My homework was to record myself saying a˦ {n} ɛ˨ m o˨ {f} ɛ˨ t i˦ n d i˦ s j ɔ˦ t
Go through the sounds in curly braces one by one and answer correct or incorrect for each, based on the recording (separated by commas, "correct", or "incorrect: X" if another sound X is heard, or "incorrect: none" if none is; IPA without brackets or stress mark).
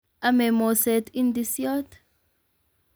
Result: incorrect: m, incorrect: s